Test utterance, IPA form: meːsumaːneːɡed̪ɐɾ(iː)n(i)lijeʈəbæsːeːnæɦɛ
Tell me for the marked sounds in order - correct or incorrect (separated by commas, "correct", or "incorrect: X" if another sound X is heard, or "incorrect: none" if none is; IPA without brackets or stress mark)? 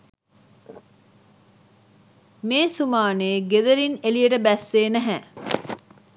incorrect: i, incorrect: e